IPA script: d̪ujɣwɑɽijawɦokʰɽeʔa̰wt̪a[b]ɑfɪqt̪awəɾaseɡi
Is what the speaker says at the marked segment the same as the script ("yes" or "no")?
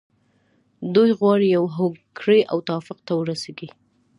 no